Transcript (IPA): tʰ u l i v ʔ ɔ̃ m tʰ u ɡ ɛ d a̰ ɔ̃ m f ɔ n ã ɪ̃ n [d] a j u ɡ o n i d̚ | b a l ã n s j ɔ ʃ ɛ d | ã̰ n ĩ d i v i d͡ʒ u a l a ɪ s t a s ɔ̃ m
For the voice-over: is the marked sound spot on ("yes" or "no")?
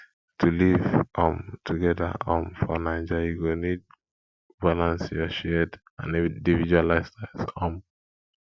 no